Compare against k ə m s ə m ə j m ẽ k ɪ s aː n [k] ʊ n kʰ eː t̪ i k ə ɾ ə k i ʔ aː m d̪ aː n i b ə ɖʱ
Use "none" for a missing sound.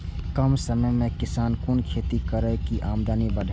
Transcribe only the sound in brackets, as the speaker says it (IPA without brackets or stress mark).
k